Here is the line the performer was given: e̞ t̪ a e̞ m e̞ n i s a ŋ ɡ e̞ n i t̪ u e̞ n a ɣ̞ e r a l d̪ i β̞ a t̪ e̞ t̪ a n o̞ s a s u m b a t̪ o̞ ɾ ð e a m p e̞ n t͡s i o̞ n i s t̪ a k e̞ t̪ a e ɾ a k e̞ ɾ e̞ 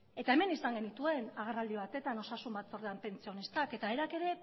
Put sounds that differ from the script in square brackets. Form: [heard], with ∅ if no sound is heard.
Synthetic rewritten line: e̞ t̪ a e̞ m e̞ n i s a ŋ ɡ e̞ n i t̪ u e̞ n a ɣ̞ e r a l d̪ i β̞ a t̪ e̞ t̪ a n o̞ s a s u m b a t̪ o̞ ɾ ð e a m p e̞ n t͡s i o̞ n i s t̪ a k e̞ t̪ a e ɾ a k e̞ ɾ e̞